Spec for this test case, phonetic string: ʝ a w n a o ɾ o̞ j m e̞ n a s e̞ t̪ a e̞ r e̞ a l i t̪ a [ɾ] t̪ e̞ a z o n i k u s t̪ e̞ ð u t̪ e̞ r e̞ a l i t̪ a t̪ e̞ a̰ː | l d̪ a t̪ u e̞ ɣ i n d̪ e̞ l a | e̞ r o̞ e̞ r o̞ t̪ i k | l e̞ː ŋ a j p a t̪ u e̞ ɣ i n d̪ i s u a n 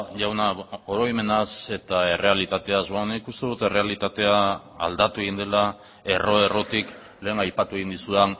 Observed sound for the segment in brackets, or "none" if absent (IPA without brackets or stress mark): none